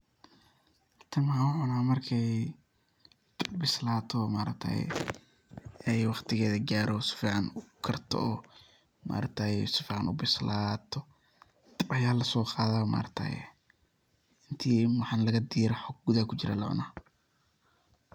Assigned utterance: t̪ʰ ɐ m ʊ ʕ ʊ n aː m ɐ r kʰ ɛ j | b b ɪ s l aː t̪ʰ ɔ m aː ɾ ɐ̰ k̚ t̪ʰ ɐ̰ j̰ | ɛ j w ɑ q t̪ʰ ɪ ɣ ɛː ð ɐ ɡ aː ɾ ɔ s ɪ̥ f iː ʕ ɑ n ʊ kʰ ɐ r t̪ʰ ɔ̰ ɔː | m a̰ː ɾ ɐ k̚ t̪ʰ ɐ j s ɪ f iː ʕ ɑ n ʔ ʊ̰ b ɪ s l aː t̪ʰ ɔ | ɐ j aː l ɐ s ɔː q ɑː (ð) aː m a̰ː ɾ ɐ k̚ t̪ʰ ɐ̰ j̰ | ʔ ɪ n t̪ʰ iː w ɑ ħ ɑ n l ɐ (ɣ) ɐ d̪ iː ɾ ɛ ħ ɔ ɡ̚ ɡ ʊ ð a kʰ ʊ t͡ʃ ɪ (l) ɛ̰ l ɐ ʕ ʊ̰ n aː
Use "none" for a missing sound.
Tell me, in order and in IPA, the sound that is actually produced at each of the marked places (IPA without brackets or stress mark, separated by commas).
ð, ɣ, ɾ